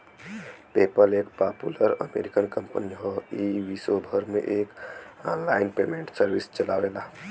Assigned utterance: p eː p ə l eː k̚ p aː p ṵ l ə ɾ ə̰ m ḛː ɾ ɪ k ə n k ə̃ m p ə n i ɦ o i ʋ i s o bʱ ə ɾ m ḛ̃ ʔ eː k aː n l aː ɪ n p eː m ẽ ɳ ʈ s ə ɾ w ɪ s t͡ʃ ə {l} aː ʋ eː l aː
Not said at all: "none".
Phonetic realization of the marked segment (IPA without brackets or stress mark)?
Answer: l